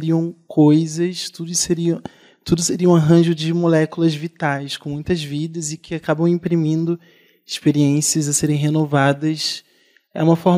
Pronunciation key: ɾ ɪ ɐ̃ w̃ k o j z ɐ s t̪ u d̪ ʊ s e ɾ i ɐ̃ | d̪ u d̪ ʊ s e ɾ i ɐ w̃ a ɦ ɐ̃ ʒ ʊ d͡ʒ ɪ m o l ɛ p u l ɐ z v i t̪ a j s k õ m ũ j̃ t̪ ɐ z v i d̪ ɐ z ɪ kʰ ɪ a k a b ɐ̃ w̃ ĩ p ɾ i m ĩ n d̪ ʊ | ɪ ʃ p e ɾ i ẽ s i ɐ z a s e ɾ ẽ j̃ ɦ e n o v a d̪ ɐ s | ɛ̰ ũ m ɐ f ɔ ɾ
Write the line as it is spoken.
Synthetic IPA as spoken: ɾ i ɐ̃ w̃ k o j z ɐ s t̪ u d̪ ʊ s e ɾ i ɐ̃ | t̪ u d̪ ʊ s e ɾ i ɐ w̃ a ɦ ɐ̃ ʒ ʊ d͡ʒ ɪ m o l ɛ k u l ɐ z v i t̪ a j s k õ m ũ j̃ t̪ ɐ z v i d̪ ɐ z ɪ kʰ ɪ a k a b ɐ̃ w̃ ĩ p ɾ i m ĩ n d̪ ʊ | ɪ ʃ p e ɾ i ẽ s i ɐ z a s e ɾ ẽ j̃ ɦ e n o v a d̪ ɐ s | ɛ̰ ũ m ɐ f ɔ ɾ